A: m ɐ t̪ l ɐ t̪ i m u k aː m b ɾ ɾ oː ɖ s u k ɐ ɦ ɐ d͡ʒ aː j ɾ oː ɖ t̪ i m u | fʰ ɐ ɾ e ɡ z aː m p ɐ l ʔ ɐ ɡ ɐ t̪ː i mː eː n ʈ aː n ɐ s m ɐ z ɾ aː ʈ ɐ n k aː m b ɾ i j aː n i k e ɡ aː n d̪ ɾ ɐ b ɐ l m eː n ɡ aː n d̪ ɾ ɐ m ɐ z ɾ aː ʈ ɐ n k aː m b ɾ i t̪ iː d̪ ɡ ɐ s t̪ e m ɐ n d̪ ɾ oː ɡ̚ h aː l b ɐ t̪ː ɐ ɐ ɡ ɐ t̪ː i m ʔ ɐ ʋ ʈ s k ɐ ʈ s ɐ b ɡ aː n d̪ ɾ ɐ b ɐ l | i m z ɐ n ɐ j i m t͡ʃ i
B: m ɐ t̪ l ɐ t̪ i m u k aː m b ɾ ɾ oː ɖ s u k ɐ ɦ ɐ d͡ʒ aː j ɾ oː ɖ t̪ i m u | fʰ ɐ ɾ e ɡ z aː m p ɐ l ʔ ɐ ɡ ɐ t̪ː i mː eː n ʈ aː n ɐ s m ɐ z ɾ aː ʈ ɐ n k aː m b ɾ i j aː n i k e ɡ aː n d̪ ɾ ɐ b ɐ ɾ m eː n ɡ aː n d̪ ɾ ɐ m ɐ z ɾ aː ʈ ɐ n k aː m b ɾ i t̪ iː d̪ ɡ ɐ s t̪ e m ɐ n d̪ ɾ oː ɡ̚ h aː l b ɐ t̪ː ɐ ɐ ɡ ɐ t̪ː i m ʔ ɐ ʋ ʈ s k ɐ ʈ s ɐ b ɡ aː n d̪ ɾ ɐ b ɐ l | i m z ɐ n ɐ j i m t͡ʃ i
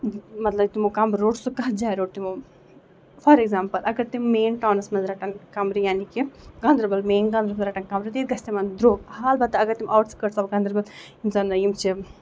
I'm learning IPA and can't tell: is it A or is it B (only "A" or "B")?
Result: A